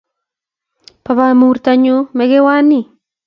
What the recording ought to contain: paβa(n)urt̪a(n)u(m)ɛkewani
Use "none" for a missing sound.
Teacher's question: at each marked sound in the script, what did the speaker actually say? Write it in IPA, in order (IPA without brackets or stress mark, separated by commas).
m, ɲ, m